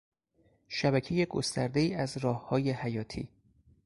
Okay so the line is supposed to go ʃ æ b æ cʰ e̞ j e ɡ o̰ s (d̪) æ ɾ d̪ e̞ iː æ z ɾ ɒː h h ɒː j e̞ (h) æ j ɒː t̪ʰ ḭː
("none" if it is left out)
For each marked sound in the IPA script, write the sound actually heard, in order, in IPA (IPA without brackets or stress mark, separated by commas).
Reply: t̪, h